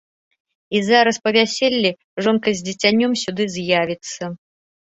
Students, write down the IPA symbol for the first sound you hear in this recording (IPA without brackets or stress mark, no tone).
i